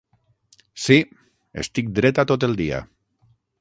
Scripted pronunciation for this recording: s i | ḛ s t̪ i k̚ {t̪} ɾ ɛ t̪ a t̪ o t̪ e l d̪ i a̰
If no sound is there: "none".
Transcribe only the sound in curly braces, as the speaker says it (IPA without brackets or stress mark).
d̪